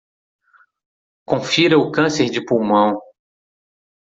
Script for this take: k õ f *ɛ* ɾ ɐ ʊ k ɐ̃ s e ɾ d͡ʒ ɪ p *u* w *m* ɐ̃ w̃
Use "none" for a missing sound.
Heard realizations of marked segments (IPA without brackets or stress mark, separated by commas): i, u, m